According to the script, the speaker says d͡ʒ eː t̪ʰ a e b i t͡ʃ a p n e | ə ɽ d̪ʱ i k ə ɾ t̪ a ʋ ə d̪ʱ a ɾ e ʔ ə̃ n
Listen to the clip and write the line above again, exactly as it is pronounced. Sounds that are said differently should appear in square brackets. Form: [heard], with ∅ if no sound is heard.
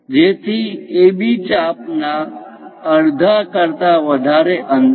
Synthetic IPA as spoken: d͡ʒ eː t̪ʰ [i] e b i t͡ʃ a p n [a] | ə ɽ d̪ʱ [a] k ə ɾ t̪ a ʋ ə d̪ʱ a ɾ e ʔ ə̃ n

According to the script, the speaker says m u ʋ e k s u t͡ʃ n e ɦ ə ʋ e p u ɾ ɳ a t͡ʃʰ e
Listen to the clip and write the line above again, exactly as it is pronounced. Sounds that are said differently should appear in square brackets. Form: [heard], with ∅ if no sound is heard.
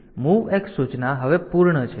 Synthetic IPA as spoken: m u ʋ e k s u t͡ʃ n [a] ɦ ə ʋ e p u ɾ ɳ [ə] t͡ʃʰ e

